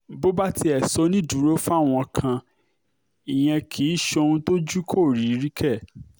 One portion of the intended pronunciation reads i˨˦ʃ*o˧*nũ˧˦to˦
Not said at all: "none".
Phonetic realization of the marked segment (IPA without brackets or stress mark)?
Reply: o˧